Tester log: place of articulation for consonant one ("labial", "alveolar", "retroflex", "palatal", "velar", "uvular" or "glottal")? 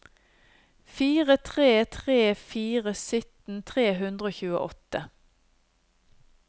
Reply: labial